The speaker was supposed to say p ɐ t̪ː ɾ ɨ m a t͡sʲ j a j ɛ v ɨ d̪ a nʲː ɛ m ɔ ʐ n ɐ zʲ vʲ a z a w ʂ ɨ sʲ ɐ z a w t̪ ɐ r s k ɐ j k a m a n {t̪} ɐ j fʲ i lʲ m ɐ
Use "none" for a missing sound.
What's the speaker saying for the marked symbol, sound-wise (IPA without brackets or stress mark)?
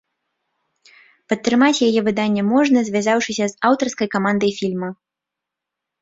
d̪